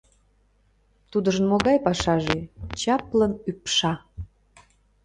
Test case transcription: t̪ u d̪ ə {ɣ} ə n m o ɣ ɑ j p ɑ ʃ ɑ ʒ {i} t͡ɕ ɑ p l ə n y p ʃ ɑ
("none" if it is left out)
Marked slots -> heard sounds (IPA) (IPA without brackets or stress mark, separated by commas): ʒ, e